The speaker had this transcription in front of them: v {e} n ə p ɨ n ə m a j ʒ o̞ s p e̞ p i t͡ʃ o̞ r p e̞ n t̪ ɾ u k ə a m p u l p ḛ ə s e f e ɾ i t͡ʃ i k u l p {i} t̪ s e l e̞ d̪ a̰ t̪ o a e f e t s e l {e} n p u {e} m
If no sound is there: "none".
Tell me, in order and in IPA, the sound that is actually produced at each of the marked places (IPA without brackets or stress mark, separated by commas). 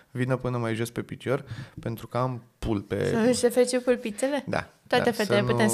i, i, e, e